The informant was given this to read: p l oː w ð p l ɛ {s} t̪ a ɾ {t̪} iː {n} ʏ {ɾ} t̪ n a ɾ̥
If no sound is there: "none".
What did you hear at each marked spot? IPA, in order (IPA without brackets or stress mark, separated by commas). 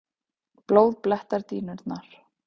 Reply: h, t̪, n, ɾ